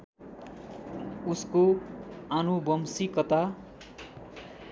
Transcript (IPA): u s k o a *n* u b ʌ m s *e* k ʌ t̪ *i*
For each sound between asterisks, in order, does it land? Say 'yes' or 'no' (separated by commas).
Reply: yes, no, no